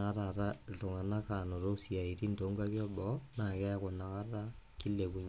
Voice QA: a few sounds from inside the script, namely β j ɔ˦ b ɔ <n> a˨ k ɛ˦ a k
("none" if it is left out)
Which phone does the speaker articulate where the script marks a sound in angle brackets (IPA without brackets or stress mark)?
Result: n